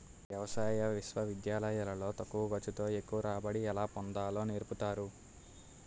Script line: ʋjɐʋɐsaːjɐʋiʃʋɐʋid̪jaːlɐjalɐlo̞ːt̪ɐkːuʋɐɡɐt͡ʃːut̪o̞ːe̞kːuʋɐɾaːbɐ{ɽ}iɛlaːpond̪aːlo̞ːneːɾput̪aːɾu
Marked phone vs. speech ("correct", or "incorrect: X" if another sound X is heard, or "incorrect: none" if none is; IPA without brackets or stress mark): correct